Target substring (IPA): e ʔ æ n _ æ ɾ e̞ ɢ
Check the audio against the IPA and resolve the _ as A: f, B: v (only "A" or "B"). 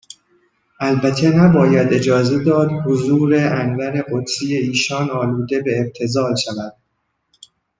B